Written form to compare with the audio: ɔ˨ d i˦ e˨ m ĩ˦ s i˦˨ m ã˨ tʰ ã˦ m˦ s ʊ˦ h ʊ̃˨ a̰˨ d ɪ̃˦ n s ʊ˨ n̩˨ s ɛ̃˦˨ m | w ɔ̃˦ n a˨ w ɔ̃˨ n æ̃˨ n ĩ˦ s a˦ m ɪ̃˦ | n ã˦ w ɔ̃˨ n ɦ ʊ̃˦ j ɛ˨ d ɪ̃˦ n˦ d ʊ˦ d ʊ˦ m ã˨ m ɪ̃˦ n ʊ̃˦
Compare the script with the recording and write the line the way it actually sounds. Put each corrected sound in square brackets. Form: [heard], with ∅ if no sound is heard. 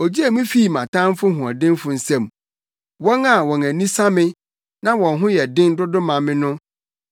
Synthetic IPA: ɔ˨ [d͡ʑ] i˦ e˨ m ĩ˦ [f] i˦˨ m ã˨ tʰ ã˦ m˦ [f] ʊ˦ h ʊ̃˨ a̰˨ d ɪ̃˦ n [f] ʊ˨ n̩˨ s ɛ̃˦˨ m | w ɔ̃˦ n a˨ w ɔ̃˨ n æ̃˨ n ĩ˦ s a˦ m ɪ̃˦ | n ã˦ w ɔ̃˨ n ɦ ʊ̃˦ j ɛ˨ d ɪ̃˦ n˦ d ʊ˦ d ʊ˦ m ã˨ m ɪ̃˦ n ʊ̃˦